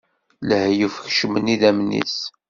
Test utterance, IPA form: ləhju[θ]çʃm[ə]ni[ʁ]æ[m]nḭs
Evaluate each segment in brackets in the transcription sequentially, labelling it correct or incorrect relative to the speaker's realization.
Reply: incorrect: f, correct, incorrect: ð, correct

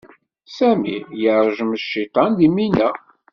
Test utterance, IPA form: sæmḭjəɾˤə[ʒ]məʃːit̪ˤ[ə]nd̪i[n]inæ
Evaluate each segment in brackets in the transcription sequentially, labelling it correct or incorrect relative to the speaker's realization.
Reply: correct, incorrect: ɑ, incorrect: m

